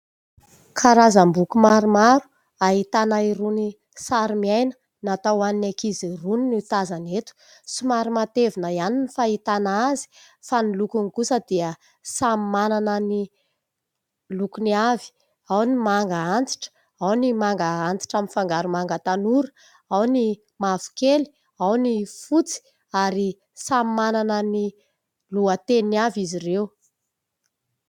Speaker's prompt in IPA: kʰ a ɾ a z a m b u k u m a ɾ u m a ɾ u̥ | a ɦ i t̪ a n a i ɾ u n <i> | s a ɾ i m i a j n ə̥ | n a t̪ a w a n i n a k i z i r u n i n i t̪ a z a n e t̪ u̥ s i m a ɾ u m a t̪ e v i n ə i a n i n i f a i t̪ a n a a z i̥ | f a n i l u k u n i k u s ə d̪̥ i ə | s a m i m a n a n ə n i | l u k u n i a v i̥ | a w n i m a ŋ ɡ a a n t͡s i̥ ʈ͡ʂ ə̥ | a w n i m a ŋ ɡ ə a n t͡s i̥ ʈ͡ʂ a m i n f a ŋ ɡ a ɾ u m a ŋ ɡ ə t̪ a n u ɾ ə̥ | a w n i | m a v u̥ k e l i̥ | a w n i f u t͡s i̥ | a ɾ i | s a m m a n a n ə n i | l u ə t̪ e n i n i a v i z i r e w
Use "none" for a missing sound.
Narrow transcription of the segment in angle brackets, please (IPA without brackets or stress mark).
i